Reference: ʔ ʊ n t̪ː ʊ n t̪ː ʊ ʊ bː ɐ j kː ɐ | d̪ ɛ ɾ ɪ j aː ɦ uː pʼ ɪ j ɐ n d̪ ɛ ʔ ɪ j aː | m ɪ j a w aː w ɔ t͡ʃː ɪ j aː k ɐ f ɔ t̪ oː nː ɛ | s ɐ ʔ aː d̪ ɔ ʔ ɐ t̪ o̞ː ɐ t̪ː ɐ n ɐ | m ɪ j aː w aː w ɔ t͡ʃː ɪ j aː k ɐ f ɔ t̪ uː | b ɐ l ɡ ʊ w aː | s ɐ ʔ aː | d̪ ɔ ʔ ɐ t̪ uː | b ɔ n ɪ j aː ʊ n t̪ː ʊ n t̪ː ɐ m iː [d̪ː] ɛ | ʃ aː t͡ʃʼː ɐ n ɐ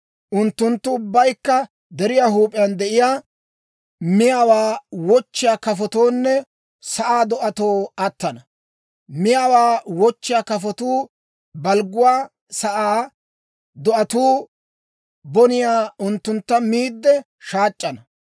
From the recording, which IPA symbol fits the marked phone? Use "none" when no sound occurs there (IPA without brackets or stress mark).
d̪ː